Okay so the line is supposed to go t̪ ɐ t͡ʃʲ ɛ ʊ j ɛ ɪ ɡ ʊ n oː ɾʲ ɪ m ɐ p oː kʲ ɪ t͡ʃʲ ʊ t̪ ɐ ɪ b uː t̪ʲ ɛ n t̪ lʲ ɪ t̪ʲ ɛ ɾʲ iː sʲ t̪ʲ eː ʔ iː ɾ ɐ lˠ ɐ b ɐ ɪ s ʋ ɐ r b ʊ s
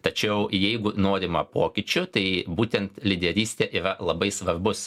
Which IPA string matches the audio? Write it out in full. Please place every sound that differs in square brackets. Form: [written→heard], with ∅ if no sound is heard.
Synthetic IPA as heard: t̪ ɐ t͡ʃʲ ɛ ʊ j ɛ ɪ ɡ ʊ n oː ɾʲ ɪ m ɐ p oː kʲ ɪ t͡ʃʲ ʊ t̪ ɐ ɪ b uː t̪ʲ ɛ n t̪ lʲ ɪ [t̪ʲ→d̪ʲ] ɛ ɾʲ iː sʲ t̪ʲ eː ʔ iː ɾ ɐ lˠ ɐ b ɐ ɪ s ʋ ɐ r b ʊ s